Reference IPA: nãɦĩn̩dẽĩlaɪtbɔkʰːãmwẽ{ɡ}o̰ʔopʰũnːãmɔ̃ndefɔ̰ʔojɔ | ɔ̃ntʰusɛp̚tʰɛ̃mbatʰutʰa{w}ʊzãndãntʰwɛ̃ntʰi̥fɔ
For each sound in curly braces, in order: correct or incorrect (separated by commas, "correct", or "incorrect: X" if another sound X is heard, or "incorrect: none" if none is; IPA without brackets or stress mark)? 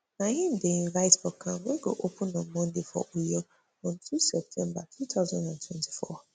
correct, incorrect: none